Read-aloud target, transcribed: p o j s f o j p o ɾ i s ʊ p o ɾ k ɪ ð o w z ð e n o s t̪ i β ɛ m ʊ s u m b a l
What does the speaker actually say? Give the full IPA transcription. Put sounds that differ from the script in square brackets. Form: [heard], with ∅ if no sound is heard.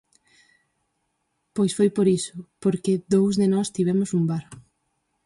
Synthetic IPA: p o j s f o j p o ɾ i s ʊ p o ɾ k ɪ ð o w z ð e n [ɔ] s t̪ i β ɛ m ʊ s u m b a [ɾ]